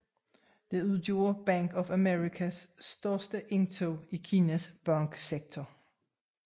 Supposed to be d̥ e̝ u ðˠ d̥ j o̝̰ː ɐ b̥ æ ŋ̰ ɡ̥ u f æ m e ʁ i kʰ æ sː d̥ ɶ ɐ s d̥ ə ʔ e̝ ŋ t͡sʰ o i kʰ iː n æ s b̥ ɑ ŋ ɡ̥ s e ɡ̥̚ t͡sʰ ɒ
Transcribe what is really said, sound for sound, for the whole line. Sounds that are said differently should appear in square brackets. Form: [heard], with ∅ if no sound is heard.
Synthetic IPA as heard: d̥ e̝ u ðˠ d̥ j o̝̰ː ɐ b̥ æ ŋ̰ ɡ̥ [ɒ] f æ m e ʁ i kʰ æ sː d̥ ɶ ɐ s d̥ ə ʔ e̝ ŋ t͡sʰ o i kʰ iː n æ s b̥ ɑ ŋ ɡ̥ s e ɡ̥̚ t͡sʰ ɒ